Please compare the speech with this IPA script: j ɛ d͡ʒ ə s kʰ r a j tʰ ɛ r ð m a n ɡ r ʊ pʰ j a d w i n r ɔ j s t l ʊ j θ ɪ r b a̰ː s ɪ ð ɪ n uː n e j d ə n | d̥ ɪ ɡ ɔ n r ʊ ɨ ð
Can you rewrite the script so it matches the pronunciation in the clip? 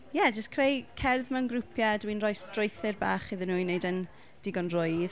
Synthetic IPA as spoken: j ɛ d͡ʒ ə s kʰ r e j kʰ ɛ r ð m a n ɡ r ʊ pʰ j a d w i n r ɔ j s t r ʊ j θ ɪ r b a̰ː χ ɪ ð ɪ n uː n e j d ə n | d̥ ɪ ɡ ɔ n r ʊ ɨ ð